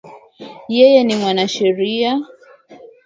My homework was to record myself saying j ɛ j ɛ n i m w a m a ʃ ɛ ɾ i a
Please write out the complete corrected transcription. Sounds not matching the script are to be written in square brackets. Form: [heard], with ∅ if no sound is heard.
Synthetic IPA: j ɛ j ɛ n i m w a [n] a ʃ ɛ ɾ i a